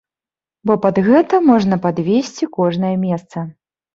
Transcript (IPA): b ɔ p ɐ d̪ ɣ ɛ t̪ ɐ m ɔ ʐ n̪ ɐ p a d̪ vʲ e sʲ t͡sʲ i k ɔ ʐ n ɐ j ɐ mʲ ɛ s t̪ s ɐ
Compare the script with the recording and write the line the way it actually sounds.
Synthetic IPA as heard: b ɔ p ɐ d̪ ɣ ɛ t̪ ɐ m ɔ ʐ n̪ ɐ p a d̪ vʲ e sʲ t͡sʲ i k ɔ ʐ n ɐ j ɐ mʲ ɛ s t̪ s ɐ